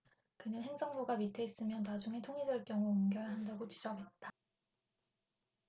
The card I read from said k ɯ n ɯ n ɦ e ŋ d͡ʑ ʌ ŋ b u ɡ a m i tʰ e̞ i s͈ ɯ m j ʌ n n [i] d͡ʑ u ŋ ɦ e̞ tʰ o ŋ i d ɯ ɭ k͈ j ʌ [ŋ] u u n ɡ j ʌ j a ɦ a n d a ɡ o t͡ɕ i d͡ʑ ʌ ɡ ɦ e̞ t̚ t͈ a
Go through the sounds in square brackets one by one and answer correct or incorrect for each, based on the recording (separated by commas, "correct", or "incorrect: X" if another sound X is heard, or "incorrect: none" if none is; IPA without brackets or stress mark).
incorrect: a, correct